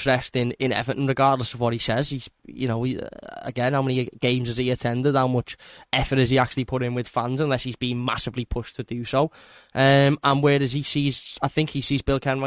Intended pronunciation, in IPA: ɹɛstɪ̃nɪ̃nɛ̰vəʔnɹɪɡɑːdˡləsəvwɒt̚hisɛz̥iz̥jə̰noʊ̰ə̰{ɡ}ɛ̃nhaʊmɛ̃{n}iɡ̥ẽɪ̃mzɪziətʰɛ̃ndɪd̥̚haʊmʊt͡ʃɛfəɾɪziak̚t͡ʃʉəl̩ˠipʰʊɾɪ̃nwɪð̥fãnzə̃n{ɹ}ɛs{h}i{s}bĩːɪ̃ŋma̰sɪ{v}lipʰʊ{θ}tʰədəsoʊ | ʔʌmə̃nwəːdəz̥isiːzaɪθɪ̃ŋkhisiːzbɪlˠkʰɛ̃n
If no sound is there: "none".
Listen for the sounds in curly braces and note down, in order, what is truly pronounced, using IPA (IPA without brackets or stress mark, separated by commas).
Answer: ɡ, n, l, h, z, v, ʃ